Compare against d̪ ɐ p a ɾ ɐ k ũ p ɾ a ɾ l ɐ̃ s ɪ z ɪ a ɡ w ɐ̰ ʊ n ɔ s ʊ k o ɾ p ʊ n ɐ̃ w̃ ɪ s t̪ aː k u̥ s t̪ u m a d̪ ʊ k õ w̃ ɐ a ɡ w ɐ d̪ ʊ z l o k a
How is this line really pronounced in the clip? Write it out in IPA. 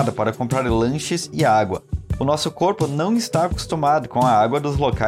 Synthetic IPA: d̪ ɐ p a ɾ ɐ k õ p ɾ a ɾ l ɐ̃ ʃ ɪ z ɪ a ɡ w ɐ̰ ʊ n ɔ s ʊ k o ɾ p ʊ n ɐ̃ w̃ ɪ s t̪ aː k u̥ s t̪ u m a d̪ ʊ k õ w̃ ɐ a ɡ w ɐ d̪ ʊ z l o k a